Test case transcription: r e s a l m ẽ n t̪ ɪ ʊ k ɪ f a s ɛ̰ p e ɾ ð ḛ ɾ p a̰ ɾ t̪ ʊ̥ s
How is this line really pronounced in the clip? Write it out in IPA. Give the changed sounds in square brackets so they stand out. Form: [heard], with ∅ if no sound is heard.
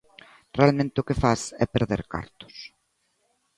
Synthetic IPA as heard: r e [∅] a l m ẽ n t̪ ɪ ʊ k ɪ f a s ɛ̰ p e ɾ ð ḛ ɾ [k] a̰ ɾ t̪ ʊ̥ s